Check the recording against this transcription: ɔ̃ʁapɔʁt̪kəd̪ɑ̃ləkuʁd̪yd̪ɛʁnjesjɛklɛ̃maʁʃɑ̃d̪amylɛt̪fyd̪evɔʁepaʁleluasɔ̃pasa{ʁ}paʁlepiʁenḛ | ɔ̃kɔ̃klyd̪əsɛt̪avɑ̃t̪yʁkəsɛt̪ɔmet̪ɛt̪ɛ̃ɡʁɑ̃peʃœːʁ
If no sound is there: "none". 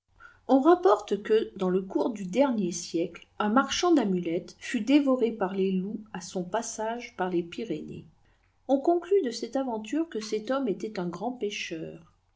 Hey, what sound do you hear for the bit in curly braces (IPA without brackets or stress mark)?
ʒ